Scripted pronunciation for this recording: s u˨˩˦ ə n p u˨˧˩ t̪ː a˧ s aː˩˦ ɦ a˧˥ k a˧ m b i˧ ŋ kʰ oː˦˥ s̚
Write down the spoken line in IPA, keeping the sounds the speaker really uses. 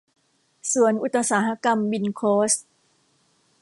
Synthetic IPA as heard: s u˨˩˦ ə n ʔ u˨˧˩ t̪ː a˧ s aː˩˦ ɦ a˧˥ k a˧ m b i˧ n kʰ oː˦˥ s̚